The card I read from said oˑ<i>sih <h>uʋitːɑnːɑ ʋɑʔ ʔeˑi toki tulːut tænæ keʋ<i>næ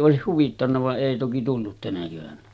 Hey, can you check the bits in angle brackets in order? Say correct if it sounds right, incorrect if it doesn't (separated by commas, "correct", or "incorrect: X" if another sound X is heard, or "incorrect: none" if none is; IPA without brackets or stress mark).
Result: incorrect: e, correct, incorrect: æ